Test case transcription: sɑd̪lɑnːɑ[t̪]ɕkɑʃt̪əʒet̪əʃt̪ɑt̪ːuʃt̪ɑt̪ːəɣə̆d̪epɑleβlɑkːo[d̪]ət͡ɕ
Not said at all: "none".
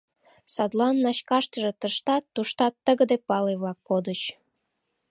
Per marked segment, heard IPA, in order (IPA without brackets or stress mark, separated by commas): none, d̪